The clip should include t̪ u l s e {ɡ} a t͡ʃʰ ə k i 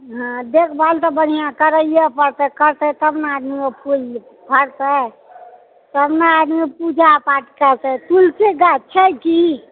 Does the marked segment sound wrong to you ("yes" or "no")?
no